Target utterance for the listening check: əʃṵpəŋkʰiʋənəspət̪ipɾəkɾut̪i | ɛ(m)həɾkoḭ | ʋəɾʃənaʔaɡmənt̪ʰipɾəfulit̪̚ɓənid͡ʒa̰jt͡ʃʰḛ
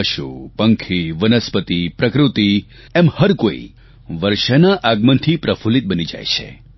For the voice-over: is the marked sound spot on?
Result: yes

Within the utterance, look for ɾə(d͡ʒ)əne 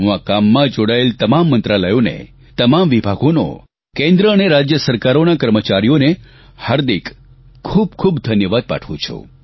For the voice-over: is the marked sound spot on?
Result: no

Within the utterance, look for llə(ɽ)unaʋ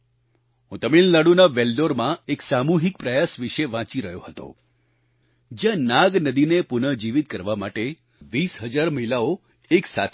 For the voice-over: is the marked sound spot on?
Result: yes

